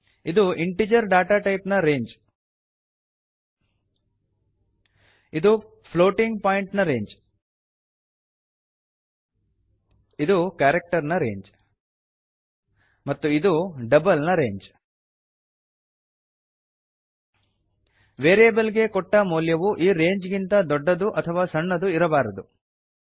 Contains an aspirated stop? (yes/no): yes